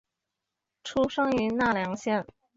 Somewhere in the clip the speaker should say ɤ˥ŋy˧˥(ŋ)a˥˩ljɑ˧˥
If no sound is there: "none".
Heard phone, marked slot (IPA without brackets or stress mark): n